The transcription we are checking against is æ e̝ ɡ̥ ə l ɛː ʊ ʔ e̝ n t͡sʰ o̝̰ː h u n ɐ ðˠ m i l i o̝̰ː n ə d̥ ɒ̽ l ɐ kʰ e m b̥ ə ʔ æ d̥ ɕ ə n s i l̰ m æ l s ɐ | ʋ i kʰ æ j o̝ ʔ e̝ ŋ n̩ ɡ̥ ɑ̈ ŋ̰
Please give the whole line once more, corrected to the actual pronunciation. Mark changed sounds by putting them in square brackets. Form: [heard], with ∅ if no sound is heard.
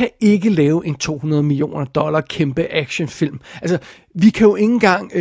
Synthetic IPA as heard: æ e̝ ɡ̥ ə l ɛː ʊ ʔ e̝ n t͡sʰ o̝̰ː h u n ɐ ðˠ m i l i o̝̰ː n [ɐ] d̥ ɒ̽ l ɐ kʰ e m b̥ ə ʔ æ [ɡ̥] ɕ ə n [f] i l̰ m æ l s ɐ | ʋ i kʰ æ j o̝ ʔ e̝ ŋ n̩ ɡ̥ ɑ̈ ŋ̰